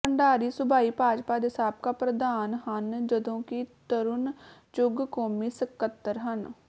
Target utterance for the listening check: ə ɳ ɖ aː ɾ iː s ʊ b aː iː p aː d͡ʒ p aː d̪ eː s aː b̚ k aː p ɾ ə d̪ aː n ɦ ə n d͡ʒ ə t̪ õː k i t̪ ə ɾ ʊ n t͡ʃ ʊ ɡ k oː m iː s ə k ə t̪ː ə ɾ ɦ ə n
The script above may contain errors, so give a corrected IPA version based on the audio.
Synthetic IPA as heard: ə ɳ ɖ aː ɾ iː s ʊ b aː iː p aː d͡ʒ p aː d̪ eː s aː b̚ k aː p ɾ ə d̪ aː n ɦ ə n d͡ʒ ə d̪ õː k i t̪ ə ɾ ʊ n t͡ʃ ʊ ɡ k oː m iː s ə k ə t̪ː ə ɾ ɦ ə n